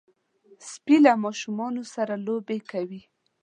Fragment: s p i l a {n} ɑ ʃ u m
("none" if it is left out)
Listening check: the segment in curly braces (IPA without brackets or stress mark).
m